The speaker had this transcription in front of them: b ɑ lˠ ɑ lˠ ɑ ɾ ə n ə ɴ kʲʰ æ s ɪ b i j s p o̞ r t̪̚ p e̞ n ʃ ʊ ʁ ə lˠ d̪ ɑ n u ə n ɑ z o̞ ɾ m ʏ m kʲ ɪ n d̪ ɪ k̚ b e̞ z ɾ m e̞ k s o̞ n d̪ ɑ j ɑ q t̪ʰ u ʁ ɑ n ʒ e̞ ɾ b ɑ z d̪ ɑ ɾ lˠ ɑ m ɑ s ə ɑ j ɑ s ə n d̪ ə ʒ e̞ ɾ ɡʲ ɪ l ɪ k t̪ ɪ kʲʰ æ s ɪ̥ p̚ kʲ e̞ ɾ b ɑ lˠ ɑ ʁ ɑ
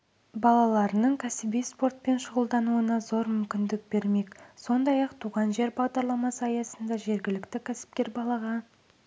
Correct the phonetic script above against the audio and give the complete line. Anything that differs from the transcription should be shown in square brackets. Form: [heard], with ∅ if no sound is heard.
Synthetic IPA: b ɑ lˠ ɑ lˠ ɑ ɾ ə n ə ɴ kʲʰ æ s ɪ b i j s p o̞ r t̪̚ p e̞ n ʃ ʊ ʁ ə lˠ d̪ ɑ n u ə n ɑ z o̞ ɾ m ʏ m kʲ ɪ n d̪ ɪ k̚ b e̞ [∅] ɾ m e̞ k s o̞ n d̪ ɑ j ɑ q t̪ʰ u ʁ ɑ n ʒ e̞ ɾ b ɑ [ʁ] d̪ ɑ ɾ lˠ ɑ m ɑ s ə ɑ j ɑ s ə n d̪ [ɑ] ʒ e̞ ɾ ɡʲ ɪ l ɪ k t̪ ɪ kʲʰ æ s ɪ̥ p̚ kʲ e̞ ɾ b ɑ lˠ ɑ ʁ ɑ